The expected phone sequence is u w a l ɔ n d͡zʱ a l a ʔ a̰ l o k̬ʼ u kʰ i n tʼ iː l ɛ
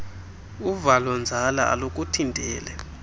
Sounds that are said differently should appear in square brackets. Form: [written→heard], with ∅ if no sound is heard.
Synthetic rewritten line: u [w→v] a l ɔ n d͡zʱ a l a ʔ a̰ l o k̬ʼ u [kʰ→tʰ] i n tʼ [iː→ɛː] l ɛ